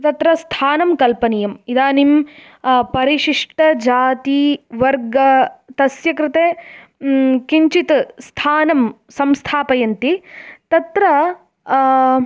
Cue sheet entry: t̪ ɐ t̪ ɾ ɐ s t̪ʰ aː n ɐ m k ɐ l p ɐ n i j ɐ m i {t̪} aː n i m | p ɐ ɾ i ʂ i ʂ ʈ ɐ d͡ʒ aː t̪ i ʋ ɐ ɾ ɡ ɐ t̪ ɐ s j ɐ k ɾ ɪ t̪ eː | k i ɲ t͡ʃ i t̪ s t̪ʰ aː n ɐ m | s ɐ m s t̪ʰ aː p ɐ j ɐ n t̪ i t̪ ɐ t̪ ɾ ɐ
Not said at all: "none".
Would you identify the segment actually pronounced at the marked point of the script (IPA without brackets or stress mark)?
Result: d̪